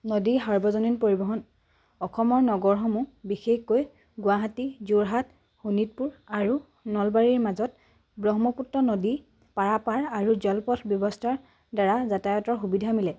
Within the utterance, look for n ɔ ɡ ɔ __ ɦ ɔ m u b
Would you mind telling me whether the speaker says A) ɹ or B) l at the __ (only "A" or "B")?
A